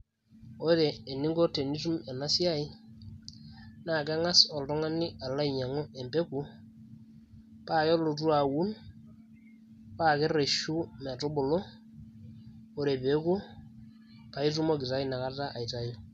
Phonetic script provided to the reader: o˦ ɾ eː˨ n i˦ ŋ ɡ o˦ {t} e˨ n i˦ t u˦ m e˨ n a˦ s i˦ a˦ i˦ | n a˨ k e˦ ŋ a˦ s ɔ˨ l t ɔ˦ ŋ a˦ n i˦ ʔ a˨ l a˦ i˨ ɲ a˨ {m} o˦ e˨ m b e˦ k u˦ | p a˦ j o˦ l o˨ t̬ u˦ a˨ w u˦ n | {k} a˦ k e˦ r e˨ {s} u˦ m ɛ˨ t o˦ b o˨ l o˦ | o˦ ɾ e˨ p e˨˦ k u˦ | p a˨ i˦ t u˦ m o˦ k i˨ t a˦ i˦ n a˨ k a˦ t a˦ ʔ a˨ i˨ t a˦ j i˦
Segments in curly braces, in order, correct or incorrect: correct, incorrect: ŋ, incorrect: p, incorrect: ʃ

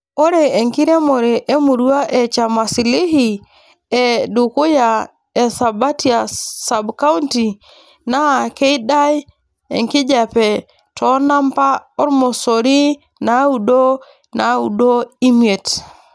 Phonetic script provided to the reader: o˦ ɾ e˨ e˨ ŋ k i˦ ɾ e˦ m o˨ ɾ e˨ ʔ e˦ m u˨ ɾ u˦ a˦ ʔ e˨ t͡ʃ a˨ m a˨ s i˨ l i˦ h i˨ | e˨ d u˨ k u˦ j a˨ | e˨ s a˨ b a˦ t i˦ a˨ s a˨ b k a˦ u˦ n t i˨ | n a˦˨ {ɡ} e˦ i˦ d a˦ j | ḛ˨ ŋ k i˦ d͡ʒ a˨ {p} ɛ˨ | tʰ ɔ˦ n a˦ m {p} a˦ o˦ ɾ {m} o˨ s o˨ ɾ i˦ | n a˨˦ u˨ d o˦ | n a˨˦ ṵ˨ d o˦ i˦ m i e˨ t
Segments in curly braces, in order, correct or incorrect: incorrect: k, correct, correct, correct

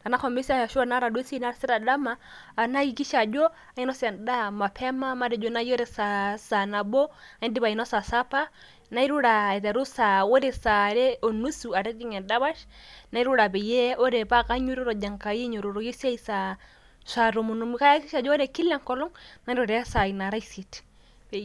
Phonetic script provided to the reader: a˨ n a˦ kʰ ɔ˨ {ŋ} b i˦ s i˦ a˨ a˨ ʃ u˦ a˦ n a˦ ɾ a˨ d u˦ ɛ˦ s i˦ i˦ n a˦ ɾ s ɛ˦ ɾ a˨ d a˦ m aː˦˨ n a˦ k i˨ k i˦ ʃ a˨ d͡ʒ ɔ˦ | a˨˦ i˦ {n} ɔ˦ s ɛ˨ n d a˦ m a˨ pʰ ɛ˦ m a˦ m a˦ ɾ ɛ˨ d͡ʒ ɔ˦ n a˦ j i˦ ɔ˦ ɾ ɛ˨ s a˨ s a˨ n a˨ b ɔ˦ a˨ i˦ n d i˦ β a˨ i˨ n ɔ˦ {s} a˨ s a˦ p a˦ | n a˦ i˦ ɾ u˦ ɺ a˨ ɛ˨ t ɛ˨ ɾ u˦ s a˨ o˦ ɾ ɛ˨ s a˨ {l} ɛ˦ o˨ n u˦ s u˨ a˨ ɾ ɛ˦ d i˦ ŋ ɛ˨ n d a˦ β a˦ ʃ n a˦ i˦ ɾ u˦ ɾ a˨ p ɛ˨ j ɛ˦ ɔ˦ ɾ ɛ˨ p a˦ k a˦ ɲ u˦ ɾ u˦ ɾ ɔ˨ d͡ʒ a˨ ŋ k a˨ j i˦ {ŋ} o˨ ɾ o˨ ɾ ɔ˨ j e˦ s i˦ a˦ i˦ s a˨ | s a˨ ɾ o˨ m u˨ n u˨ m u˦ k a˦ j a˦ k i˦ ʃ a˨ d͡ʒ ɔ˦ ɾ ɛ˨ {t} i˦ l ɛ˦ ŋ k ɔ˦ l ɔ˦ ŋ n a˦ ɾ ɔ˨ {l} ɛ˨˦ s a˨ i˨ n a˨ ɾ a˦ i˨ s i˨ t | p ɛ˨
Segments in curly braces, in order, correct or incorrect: incorrect: m, correct, correct, incorrect: ɾ, incorrect: ɲ, incorrect: k, incorrect: ɾ

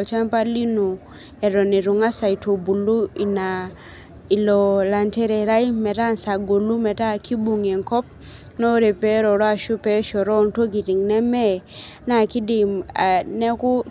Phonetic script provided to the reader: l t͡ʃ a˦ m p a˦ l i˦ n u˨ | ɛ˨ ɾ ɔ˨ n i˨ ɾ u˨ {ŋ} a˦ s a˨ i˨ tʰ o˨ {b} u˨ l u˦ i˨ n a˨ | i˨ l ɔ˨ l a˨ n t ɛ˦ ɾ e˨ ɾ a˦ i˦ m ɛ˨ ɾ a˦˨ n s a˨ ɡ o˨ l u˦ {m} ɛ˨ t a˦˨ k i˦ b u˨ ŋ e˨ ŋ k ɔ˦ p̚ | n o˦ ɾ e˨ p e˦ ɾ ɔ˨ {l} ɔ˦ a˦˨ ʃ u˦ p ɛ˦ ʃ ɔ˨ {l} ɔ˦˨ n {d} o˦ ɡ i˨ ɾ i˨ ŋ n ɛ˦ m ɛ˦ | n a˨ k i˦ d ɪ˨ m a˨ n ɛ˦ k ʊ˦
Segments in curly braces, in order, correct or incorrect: correct, correct, correct, incorrect: ɾ, incorrect: ɾ, incorrect: t

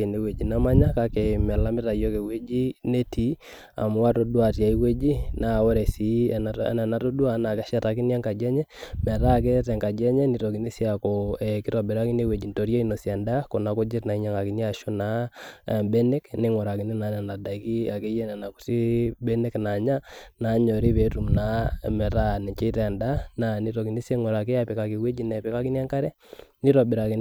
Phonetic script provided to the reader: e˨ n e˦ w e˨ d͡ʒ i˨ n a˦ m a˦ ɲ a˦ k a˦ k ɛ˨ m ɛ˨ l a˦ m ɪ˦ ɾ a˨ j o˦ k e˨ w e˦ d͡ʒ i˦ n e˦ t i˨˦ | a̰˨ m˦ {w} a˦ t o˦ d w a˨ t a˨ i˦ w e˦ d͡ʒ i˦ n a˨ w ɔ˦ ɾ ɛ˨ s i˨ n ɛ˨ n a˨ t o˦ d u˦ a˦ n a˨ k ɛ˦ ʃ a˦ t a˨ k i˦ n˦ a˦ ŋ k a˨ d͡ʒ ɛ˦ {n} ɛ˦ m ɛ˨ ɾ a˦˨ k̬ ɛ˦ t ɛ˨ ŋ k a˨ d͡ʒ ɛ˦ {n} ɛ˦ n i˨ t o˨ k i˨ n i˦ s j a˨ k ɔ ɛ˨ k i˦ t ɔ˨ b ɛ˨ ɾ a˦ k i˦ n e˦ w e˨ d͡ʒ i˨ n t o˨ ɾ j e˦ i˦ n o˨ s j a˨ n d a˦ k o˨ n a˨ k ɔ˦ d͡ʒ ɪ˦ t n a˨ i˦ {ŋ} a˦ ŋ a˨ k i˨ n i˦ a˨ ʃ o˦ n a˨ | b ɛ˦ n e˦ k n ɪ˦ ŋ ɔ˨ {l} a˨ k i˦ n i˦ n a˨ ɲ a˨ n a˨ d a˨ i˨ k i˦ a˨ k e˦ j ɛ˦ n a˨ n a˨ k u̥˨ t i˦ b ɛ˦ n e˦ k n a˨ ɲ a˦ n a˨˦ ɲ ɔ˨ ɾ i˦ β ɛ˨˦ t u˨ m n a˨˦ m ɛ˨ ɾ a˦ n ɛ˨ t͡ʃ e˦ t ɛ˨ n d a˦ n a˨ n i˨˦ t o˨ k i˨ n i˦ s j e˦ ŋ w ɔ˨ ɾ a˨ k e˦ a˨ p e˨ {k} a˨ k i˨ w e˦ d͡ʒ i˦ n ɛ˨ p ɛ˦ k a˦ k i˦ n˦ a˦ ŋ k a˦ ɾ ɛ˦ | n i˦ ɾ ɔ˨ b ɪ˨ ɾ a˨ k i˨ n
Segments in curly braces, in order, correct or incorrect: correct, incorrect: ɲ, incorrect: ɲ, incorrect: ɲ, incorrect: ɾ, correct

